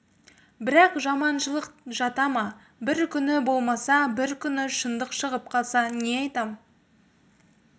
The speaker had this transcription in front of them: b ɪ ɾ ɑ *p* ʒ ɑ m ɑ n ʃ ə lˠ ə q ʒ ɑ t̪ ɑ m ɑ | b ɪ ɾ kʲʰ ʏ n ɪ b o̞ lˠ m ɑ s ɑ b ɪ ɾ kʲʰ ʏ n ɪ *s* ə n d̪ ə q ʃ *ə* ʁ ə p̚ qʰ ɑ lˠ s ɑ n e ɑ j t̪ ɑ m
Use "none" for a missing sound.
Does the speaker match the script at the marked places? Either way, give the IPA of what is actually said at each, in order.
q, ʃ, ə

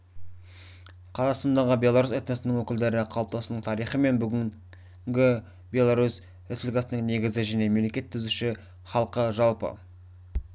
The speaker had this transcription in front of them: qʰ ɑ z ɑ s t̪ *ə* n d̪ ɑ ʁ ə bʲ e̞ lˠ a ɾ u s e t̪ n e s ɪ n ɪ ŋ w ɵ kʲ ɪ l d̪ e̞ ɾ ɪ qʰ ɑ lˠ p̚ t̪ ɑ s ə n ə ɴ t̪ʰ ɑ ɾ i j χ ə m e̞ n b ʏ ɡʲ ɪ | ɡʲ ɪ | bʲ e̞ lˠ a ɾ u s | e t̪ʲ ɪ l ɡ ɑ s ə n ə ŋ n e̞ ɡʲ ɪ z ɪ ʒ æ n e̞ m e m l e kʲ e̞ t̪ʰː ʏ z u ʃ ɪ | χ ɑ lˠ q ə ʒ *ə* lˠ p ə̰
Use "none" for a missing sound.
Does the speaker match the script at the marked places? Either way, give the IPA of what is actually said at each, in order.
ɑ, ɑ

